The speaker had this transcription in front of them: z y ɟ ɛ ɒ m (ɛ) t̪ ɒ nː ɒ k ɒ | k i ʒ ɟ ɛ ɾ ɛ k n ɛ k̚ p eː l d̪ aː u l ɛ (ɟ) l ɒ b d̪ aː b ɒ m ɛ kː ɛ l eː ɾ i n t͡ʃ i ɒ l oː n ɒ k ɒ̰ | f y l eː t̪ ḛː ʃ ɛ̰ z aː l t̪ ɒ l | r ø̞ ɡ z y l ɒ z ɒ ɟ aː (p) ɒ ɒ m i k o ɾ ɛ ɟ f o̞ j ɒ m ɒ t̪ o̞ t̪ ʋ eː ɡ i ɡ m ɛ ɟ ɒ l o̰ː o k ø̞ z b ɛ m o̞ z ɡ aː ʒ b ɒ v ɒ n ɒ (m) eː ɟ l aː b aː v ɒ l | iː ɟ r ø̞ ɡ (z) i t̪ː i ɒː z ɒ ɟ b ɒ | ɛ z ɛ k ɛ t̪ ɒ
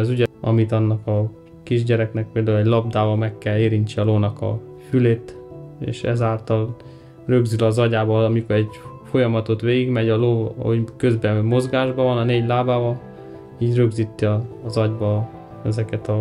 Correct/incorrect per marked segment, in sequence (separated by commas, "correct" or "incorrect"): incorrect, correct, incorrect, incorrect, correct